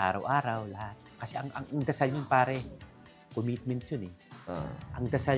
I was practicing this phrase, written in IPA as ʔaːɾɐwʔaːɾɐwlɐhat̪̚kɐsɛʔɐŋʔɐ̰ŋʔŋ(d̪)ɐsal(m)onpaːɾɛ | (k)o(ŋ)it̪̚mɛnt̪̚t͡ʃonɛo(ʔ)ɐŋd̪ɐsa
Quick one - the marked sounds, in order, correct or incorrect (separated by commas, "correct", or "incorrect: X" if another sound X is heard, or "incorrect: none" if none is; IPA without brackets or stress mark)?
correct, incorrect: ɲ, correct, incorrect: m, correct